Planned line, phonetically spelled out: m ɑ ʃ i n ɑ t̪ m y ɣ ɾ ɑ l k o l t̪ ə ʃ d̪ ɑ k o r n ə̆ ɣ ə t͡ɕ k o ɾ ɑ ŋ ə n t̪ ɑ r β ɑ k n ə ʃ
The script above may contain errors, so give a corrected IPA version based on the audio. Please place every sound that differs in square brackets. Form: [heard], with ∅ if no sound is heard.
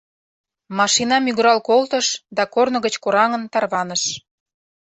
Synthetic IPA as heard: m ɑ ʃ i n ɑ [∅] m y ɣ ɾ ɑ l k o l t̪ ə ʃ d̪ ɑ k o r n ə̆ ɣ ə t͡ɕ k o ɾ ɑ ŋ ə n t̪ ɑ r β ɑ [∅] n ə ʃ